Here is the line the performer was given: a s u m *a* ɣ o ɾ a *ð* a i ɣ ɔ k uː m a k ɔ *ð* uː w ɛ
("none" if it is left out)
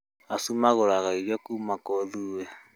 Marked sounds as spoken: a, ɣ, ð

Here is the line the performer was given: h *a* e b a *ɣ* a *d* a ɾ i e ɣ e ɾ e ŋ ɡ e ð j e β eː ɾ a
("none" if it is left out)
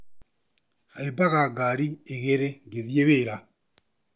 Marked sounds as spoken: a, ɣ, ɡ

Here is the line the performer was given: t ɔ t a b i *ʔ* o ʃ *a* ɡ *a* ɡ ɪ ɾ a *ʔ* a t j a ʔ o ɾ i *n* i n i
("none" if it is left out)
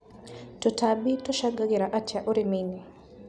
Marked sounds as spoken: t, a, a, ʔ, m

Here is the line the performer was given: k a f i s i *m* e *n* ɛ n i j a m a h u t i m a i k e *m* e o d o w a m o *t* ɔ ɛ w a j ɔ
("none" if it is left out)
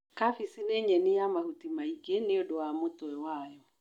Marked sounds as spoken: n, ɲ, n, t

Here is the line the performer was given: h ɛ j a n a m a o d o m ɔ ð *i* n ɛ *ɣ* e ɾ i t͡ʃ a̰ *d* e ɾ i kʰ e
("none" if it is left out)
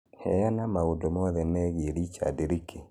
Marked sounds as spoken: ɛ, ɣ, d

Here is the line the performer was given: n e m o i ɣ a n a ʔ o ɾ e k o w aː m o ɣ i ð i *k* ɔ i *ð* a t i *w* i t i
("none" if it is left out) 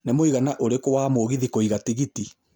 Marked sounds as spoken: k, ɣ, ɣ

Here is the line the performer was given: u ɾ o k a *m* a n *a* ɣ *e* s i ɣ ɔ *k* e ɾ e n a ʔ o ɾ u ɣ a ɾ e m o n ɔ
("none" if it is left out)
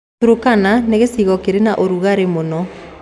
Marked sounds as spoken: n, e, e, k

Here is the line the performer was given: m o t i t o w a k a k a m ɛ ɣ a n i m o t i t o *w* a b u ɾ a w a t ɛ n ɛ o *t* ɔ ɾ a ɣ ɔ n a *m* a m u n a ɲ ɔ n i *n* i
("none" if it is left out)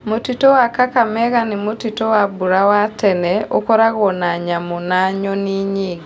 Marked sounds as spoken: w, k, ɲ, ɲ

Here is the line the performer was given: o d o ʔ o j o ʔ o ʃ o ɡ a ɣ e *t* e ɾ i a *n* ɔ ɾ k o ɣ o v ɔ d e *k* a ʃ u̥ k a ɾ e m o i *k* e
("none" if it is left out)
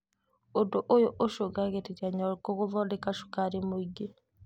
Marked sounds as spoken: t, ɲ, k, ɡ

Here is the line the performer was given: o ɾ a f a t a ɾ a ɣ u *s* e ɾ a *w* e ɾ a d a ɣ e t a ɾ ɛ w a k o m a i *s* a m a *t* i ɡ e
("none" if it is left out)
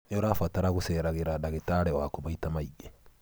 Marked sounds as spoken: s, ɣ, t, none

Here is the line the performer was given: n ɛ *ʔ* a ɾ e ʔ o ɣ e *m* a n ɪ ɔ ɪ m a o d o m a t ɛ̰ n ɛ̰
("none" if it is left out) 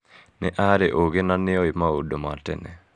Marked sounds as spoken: ʔ, n

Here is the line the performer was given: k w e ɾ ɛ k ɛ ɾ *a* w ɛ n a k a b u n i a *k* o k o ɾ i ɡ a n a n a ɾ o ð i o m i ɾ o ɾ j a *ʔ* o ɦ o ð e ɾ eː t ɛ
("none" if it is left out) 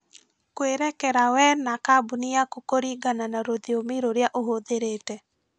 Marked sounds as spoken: a, k, ʔ

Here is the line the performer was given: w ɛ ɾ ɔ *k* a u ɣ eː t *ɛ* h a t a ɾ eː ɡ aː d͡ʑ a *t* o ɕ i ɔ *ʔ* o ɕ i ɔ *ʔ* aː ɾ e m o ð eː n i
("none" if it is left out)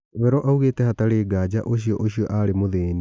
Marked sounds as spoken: ʔ, ɛ, ʔ, ʔ, ʔ

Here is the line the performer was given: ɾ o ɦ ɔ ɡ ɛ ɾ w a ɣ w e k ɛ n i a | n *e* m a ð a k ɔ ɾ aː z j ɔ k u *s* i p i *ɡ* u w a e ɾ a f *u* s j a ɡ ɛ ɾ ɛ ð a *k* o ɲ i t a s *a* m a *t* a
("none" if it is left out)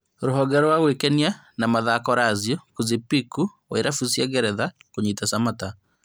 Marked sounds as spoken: a, z, k, u, k, a, t

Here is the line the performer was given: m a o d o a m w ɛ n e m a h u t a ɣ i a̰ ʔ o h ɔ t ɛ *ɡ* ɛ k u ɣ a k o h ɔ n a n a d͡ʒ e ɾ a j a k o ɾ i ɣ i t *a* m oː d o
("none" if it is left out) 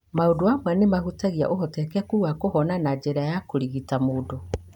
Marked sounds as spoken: k, a

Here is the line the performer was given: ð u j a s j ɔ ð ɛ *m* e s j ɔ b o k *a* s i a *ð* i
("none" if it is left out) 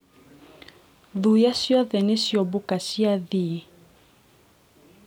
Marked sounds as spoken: n, a, ð

